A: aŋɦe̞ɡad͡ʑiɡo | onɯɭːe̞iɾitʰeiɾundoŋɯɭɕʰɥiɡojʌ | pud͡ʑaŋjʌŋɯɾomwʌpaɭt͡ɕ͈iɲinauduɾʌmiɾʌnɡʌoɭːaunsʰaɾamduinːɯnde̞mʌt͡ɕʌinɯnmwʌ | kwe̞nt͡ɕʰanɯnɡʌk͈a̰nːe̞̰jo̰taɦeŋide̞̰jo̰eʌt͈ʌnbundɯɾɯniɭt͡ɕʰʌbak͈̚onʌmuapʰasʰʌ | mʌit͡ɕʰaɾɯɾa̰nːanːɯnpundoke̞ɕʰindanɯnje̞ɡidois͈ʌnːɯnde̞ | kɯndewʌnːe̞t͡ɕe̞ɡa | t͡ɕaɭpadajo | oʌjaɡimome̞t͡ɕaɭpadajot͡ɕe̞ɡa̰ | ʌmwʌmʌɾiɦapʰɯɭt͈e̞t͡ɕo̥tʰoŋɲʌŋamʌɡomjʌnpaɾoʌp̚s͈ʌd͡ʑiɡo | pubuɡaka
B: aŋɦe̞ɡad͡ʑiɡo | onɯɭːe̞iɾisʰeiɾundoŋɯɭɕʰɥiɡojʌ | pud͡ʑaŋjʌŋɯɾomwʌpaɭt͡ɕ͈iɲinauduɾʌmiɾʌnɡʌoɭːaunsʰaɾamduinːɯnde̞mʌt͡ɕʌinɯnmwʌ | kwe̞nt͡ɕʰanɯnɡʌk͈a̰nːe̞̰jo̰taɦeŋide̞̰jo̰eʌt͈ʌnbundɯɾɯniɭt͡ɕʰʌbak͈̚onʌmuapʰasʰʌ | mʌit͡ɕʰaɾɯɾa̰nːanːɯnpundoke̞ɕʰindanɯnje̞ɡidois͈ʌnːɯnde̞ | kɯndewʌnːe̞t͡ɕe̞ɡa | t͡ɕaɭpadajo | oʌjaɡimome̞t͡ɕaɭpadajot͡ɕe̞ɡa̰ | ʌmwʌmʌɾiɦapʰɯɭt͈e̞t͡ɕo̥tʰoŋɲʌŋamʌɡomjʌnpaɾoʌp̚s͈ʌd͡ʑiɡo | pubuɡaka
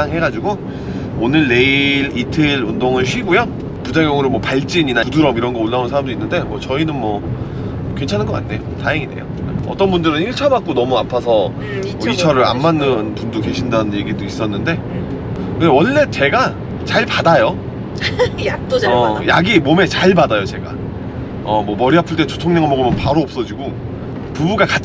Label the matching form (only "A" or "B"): A